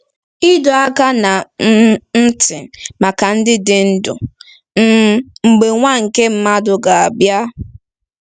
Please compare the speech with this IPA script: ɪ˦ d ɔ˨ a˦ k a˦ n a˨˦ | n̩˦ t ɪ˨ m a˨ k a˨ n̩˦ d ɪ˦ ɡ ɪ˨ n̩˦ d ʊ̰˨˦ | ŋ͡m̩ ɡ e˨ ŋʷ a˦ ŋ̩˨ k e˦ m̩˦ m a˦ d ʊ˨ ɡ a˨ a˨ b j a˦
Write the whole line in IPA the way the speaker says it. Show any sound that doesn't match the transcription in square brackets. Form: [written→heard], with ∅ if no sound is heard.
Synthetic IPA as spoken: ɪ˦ d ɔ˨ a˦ k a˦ n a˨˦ | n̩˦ t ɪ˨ m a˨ k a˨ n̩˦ d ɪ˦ [ɡ→d] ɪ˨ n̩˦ d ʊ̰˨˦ | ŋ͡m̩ [ɡ→ɡ͡b] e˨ ŋʷ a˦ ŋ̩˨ k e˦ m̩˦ m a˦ d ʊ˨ ɡ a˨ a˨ b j a˦